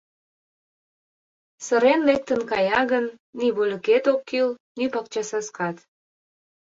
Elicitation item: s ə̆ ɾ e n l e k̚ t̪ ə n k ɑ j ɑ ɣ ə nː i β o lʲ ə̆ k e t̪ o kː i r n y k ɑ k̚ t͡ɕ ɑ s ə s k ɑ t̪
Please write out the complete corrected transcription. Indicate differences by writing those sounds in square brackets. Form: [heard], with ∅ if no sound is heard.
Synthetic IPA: s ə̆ ɾ e n l e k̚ t̪ ə n k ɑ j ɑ ɣ ə nː i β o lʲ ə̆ k e t̪ o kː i [l] n y [p] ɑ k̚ t͡ɕ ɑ s [ɑ] s k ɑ t̪